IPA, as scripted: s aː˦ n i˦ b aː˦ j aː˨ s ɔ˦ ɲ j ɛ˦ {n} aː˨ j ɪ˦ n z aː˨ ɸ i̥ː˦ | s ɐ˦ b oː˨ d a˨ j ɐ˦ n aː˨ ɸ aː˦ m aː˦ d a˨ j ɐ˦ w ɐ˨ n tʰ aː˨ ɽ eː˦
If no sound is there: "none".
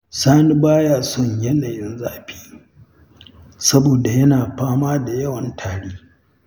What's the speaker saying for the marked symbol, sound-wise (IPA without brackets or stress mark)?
n